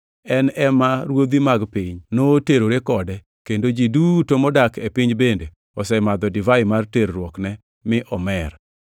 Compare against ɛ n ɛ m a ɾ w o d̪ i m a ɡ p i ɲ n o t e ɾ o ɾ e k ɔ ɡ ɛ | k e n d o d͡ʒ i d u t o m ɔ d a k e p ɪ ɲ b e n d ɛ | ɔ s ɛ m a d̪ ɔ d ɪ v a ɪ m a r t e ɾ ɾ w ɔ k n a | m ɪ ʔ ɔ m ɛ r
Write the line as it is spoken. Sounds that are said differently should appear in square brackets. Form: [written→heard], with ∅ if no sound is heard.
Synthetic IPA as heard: ɛ n ɛ m a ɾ w o d̪ i m a ɡ p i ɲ n o t e ɾ o ɾ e k ɔ [ɡ→d] ɛ | k e n d o d͡ʒ i d u t o m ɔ d a k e p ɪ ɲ b e n d [ɛ→e] | ɔ s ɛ m a d̪ ɔ d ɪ v a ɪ m a r t e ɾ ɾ w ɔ k n [a→ɛ] | m ɪ ʔ ɔ m ɛ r

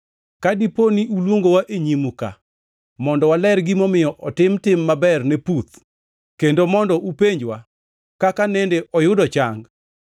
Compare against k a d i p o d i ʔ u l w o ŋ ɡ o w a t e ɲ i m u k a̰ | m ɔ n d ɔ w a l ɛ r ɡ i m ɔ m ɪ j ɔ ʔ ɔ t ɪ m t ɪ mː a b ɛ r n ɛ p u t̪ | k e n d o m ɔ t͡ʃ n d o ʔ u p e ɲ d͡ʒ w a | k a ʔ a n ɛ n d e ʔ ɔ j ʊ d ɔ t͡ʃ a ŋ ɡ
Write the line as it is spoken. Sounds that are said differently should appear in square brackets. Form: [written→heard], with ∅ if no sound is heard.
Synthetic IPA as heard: k a d i p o [d→n] i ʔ u l w o ŋ ɡ o w a [t→ʔ] e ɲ i m u k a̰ | m ɔ n d ɔ w a l ɛ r ɡ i m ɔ m ɪ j ɔ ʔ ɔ t ɪ m t ɪ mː a b ɛ r n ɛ p u t̪ | k e n d o m ɔ [t͡ʃ→∅] n d [o→ɔ] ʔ u p e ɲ d͡ʒ w a | k a [ʔ→k] a n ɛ n d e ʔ ɔ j ʊ d ɔ t͡ʃ a ŋ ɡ

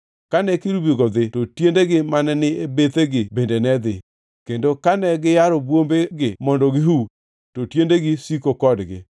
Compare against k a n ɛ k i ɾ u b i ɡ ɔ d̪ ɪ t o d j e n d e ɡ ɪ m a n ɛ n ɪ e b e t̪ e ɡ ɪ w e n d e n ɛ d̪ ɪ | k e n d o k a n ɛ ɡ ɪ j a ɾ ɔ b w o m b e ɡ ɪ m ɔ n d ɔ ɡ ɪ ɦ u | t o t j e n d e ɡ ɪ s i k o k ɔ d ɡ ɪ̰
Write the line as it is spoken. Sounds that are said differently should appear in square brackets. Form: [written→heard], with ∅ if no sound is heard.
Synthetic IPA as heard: k a n ɛ k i ɾ u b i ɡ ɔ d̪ ɪ t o [d→t] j e n d e ɡ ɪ m a n ɛ n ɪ e b e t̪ e ɡ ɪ [w→b] e n d e n ɛ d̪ ɪ | k e n d o k a n ɛ ɡ ɪ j a ɾ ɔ b w o m b e ɡ ɪ m ɔ n d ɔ ɡ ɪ ɦ u | t o t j e n d e ɡ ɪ s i k o k ɔ d ɡ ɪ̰

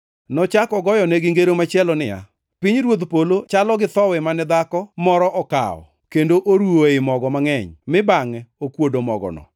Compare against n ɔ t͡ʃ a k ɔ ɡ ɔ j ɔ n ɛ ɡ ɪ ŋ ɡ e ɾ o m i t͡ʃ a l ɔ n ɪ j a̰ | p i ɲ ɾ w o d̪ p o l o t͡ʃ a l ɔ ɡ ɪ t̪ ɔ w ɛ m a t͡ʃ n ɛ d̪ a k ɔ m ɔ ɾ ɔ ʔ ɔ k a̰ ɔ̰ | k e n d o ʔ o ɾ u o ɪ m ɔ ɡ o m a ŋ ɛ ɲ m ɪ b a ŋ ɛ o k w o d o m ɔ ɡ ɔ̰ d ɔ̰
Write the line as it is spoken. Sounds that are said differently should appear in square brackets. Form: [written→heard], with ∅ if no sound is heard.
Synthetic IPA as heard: n ɔ t͡ʃ a k ɔ ɡ ɔ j ɔ n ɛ ɡ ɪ ŋ ɡ e ɾ o m [i→a] t͡ʃ [a→ɛ] l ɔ n ɪ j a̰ | p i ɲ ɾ w o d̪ p o l o t͡ʃ a l ɔ ɡ ɪ t̪ ɔ w ɛ m a [t͡ʃ→∅] n ɛ d̪ a k ɔ m ɔ ɾ ɔ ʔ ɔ k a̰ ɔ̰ | k e n d o ʔ o ɾ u o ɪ m ɔ ɡ [o→ɔ] m a ŋ ɛ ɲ m ɪ b a ŋ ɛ o k w o d o m ɔ ɡ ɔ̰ [d→n] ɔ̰

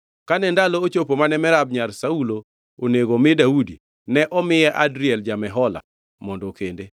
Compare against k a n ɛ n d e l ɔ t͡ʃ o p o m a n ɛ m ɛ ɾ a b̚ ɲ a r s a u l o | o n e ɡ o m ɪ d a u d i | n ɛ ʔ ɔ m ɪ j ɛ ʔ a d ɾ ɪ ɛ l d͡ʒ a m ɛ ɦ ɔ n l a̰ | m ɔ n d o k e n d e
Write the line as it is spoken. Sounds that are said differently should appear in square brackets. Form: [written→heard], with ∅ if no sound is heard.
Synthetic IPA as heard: k a n ɛ n d [e→a] l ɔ t͡ʃ o p o m a n ɛ m ɛ ɾ a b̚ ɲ a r s a u l o | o n e ɡ o m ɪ d a u d i | n ɛ ʔ ɔ m ɪ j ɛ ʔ a d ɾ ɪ ɛ l d͡ʒ a m ɛ ɦ ɔ [n→∅] l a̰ | m ɔ n d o k e n d e

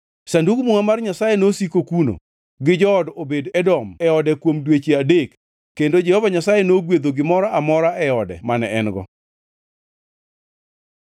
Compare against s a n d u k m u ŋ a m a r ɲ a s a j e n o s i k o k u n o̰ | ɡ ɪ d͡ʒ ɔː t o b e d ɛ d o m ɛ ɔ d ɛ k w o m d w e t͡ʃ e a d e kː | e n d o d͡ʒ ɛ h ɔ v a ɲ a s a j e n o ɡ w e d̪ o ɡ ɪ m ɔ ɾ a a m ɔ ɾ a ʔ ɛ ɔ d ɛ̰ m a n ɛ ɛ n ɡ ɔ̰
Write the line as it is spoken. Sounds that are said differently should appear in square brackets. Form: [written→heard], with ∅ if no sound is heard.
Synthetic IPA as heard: s a n d u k m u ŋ a m a r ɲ a s a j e n o s i k o k u n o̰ | ɡ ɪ d͡ʒ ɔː [t→d] o b e d ɛ d [o→ɔ] m ɛ ɔ d ɛ k w o m d w e t͡ʃ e a d e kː | e n d o d͡ʒ ɛ h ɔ v a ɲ a s a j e n o ɡ w e d̪ o ɡ ɪ m ɔ ɾ a a m ɔ ɾ a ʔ ɛ ɔ d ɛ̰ m a n ɛ ɛ n ɡ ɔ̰

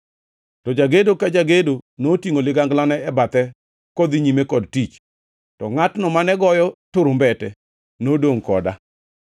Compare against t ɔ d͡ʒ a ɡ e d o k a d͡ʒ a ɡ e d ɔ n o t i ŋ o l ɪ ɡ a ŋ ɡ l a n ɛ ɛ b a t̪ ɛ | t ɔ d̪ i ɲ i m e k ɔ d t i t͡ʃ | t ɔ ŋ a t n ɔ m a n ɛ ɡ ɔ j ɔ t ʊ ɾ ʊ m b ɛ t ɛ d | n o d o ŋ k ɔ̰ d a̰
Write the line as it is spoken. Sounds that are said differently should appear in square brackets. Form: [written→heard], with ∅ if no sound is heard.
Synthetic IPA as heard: t ɔ d͡ʒ a ɡ e d o k a d͡ʒ a ɡ e d [ɔ→o] n o t i ŋ o l ɪ ɡ a ŋ ɡ l a n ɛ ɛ b a t̪ ɛ | [t→k] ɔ d̪ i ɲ i m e k ɔ d t i t͡ʃ | t ɔ ŋ a t n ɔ m a n ɛ ɡ ɔ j ɔ t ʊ ɾ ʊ m b ɛ t ɛ [d→∅] | n o d o ŋ k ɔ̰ d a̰

